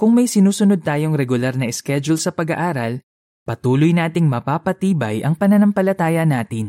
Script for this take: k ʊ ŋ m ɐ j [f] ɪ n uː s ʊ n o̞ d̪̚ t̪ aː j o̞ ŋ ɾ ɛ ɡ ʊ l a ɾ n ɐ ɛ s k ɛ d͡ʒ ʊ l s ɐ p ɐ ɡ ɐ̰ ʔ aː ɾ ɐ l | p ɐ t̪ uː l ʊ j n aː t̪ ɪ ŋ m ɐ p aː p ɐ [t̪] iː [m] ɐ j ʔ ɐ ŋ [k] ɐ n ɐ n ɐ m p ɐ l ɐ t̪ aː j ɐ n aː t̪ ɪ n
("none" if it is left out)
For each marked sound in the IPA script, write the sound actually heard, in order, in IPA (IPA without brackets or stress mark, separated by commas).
s, t̪, b, p